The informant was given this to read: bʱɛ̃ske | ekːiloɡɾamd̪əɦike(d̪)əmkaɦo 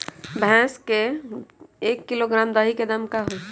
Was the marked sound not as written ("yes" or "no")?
no